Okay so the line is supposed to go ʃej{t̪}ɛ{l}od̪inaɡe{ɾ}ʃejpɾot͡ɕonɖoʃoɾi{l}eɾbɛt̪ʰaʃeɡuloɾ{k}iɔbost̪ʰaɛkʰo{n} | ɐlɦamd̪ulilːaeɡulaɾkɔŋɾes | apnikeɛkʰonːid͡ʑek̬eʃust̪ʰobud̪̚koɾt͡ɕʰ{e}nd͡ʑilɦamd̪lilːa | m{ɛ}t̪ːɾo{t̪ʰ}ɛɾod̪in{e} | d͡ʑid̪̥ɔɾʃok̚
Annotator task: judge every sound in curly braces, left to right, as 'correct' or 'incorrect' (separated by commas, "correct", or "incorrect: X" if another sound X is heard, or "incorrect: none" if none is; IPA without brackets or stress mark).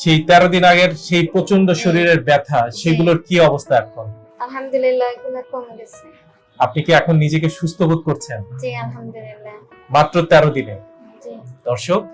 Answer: correct, incorrect: ɾ, correct, incorrect: ɾ, correct, correct, correct, incorrect: a, incorrect: t̪, correct